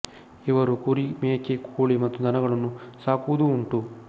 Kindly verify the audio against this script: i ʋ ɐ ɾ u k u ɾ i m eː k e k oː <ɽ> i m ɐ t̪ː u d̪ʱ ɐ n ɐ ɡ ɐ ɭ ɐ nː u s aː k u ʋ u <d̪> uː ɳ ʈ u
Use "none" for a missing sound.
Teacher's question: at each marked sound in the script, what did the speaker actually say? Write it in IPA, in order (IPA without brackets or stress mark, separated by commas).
ɭ, d̪